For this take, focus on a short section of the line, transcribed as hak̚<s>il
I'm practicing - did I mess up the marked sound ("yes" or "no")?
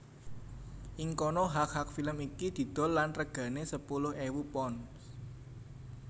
yes